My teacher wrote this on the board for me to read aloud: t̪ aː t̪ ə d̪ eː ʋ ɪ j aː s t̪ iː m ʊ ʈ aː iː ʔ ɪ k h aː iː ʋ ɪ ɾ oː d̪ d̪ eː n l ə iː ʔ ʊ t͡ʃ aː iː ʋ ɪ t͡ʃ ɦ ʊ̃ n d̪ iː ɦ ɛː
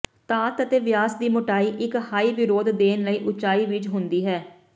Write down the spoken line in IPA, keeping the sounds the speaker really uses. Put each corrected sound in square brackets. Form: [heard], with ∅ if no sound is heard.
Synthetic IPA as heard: t̪ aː t̪ ə [t̪] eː ʋ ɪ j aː s [d̪] iː m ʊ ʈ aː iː ʔ ɪ k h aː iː ʋ ɪ ɾ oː d̪ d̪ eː n l ə iː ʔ ʊ t͡ʃ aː iː ʋ ɪ t͡ʃ ɦ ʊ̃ n d̪ iː ɦ ɛː

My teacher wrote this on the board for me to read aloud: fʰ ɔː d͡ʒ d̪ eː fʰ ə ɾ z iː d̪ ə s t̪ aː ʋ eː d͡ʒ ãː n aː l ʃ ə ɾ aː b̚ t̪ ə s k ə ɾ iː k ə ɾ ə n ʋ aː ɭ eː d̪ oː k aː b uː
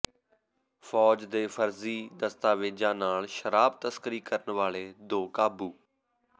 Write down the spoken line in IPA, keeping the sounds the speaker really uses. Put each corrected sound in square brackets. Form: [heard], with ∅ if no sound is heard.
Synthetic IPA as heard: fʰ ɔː d͡ʒ d̪ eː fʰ ə ɾ z iː d̪ ə s t̪ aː ʋ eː d͡ʒ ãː n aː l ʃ ə ɾ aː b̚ t̪ ə s k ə ɾ iː k ə ɾ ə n ʋ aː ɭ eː d̪ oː k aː b uː

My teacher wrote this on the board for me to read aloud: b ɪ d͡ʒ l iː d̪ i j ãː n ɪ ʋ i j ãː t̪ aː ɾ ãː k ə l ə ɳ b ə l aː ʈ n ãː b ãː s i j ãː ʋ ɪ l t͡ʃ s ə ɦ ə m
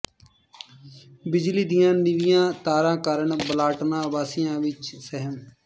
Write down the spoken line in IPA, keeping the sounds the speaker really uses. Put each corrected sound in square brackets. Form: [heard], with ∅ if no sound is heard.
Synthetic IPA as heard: b ɪ d͡ʒ l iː d̪ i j ãː n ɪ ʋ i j ãː t̪ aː ɾ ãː k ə [ɾ] ə ɳ b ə l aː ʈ n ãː b [aː] s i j ãː ʋ ɪ [∅] t͡ʃ s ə ɦ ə m

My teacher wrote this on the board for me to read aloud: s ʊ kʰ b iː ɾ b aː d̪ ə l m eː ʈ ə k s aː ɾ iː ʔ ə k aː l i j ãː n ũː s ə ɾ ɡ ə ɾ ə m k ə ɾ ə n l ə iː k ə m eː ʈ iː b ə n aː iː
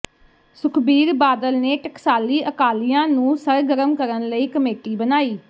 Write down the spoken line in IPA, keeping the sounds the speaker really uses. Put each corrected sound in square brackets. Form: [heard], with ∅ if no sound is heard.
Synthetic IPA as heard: s ʊ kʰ b iː ɾ b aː d̪ ə l [n] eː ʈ ə k s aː [l] iː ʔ ə k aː l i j ãː n ũː s ə ɾ ɡ ə ɾ ə m k ə ɾ ə n l ə iː k ə m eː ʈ iː b ə n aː iː

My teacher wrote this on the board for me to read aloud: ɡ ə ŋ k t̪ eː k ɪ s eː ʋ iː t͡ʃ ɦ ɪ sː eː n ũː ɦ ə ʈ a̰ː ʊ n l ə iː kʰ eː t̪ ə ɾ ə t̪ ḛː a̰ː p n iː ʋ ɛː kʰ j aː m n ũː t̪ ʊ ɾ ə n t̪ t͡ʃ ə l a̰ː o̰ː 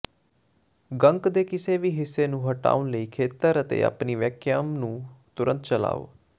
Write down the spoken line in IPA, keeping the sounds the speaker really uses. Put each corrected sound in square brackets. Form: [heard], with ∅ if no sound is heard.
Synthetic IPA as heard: ɡ ə ŋ k [d̪] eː k ɪ s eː ʋ iː [∅] ɦ ɪ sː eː n ũː ɦ ə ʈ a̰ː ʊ n l ə iː kʰ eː t̪ ə ɾ ə t̪ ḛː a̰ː p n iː ʋ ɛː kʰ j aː m n ũː t̪ ʊ ɾ ə n t̪ t͡ʃ ə l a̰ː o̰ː

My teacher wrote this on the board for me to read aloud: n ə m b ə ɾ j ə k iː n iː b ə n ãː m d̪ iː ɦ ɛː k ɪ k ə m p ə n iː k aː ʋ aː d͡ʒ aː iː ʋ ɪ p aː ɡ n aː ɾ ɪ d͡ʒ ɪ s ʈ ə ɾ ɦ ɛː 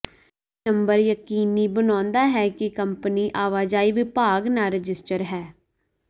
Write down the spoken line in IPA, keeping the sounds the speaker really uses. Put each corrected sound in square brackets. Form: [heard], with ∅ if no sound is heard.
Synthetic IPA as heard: n ə m b ə ɾ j ə k iː n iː b ə n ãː [n] d̪ [aː] ɦ ɛː k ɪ k ə m p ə n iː [ʔ] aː ʋ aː d͡ʒ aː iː ʋ ɪ p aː ɡ n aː ɾ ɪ d͡ʒ ɪ s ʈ ə ɾ ɦ ɛː

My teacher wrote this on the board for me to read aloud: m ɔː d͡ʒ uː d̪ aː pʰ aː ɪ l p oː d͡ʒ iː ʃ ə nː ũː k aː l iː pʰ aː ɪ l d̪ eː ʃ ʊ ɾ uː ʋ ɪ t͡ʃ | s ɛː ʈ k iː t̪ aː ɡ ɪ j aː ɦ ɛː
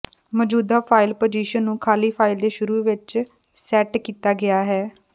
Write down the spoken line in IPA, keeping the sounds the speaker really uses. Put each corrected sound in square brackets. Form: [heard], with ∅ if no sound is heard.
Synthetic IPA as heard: m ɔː d͡ʒ uː d̪ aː pʰ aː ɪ l p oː d͡ʒ iː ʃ ə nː ũː [kʰ] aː l iː pʰ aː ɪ l d̪ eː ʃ ʊ ɾ uː ʋ ɪ t͡ʃ | s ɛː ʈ k iː t̪ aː ɡ ɪ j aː ɦ ɛː

